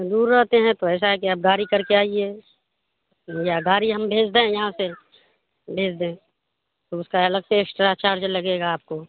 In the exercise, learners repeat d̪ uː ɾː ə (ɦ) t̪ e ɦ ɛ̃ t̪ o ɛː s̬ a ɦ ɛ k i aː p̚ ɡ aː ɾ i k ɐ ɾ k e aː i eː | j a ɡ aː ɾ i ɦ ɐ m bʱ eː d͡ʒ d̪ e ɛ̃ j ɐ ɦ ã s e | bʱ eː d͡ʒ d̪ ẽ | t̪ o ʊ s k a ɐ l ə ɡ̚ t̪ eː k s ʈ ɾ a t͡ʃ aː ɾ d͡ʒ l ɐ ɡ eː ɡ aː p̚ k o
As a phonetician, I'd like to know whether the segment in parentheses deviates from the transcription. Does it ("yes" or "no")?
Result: no